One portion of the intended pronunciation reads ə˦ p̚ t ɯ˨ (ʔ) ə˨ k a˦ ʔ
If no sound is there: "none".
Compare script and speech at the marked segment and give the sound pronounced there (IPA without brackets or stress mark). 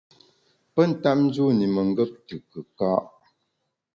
k